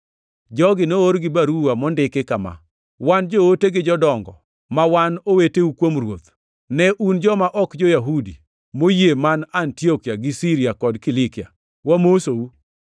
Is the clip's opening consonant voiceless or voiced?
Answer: voiced